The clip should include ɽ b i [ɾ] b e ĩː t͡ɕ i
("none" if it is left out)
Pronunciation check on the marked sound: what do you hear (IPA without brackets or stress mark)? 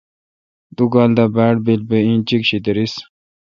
l